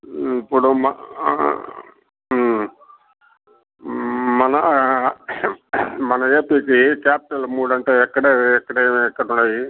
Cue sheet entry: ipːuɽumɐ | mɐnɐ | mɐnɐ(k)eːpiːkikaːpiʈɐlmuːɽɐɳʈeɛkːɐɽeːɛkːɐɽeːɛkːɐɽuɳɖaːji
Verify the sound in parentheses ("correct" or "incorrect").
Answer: incorrect